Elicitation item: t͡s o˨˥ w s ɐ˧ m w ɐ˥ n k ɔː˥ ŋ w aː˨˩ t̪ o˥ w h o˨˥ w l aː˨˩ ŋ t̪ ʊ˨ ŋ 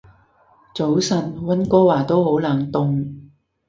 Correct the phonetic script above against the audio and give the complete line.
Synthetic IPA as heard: t͡s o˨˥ w s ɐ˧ n w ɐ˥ n k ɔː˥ w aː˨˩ t̪ o˥ w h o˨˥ w l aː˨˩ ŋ t̪ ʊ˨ ŋ